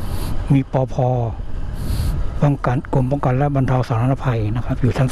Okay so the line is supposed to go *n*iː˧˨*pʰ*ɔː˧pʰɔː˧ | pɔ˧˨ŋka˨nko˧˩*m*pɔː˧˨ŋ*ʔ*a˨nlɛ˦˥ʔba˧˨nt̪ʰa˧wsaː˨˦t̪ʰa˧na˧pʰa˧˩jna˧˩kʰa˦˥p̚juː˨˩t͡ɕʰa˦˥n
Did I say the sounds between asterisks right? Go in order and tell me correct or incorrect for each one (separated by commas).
incorrect, incorrect, correct, incorrect